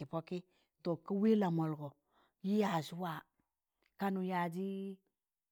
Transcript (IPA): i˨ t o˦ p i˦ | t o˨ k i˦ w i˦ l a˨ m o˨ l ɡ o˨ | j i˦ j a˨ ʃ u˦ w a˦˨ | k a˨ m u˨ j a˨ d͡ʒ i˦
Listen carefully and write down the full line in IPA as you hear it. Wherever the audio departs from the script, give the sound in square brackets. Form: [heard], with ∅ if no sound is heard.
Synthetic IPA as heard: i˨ [p] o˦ [k] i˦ | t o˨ k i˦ w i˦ l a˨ m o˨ l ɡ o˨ | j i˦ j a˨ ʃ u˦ w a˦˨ | k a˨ [n] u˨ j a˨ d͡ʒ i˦